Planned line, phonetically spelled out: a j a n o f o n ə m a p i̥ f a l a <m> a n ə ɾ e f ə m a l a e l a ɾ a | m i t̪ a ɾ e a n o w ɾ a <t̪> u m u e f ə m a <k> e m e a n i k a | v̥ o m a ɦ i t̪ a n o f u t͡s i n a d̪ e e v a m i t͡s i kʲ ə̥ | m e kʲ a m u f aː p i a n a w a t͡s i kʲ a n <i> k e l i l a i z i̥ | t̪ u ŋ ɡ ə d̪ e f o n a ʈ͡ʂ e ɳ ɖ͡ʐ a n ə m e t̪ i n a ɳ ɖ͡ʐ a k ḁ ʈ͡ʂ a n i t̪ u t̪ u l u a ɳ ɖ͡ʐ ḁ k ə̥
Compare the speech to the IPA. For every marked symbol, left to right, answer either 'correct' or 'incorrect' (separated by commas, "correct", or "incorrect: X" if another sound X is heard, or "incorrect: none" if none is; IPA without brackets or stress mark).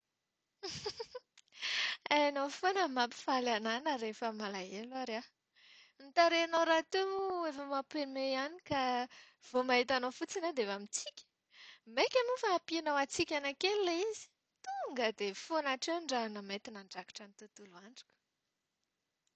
incorrect: n, correct, incorrect: p, incorrect: a